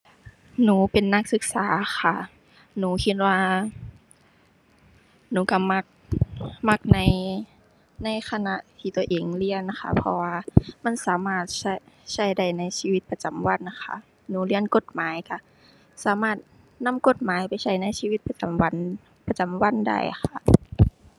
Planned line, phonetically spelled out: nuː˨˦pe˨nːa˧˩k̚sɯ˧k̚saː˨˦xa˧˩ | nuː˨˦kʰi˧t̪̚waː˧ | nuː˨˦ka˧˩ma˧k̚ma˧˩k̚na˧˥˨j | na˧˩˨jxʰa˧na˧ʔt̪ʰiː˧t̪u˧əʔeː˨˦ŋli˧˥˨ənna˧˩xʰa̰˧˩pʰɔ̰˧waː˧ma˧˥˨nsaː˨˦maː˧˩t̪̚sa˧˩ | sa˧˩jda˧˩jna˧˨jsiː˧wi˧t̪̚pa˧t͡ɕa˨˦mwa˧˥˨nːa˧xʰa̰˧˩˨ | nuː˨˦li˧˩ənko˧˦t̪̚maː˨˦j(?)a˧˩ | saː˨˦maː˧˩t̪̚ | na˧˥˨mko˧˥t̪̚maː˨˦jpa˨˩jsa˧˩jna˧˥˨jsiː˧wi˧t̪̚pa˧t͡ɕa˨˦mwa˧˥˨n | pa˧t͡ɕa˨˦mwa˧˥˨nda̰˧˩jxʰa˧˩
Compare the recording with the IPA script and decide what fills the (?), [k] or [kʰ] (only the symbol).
k